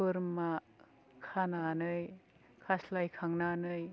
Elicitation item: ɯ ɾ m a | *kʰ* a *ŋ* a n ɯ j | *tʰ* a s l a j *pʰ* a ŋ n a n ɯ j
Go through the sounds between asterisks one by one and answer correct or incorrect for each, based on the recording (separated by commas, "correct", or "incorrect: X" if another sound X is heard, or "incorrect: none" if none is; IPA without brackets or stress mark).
correct, incorrect: n, incorrect: kʰ, incorrect: kʰ